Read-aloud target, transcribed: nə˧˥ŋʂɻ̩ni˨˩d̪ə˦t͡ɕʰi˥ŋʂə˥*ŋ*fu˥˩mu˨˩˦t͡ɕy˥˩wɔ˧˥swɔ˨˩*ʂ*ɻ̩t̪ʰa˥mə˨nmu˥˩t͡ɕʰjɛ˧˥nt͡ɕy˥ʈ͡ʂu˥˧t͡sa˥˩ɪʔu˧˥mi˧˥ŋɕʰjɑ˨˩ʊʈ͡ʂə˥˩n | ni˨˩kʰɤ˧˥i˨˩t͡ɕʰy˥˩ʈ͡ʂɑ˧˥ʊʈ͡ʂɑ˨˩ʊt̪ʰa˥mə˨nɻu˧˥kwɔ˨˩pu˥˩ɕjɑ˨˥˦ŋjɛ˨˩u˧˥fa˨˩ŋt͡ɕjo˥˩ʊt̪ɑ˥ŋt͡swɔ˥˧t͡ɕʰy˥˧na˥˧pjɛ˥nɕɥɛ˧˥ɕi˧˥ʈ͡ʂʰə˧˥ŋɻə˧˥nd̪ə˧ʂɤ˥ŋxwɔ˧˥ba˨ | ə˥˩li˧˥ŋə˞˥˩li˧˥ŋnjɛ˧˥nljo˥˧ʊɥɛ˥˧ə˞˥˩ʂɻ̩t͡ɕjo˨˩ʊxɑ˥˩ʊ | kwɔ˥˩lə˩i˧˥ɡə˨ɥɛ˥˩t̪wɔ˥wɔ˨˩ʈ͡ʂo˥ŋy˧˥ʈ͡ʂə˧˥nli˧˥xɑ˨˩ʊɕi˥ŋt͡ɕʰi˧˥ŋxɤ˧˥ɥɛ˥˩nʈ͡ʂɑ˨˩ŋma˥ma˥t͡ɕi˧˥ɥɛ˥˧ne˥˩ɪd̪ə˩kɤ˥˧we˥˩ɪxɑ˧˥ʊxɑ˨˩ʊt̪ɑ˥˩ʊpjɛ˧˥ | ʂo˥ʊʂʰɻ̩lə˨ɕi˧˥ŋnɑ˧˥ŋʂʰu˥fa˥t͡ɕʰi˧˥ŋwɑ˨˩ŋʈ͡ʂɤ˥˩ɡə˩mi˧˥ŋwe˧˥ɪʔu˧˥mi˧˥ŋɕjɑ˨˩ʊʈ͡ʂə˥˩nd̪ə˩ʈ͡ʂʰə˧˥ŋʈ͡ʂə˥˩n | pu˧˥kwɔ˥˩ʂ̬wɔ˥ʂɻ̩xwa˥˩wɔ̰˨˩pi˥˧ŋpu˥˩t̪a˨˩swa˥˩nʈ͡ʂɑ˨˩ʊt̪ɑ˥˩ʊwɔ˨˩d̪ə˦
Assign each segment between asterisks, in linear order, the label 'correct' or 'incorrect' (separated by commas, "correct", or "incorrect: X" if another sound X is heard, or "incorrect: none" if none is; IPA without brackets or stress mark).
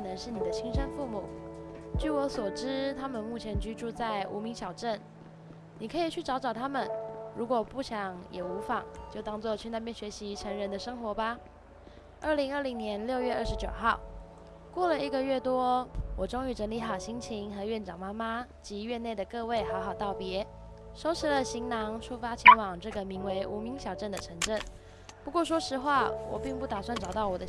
incorrect: n, incorrect: ʈ͡ʂ